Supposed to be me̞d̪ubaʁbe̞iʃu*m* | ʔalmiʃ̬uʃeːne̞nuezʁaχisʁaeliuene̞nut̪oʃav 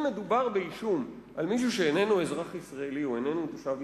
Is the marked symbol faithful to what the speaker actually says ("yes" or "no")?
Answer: yes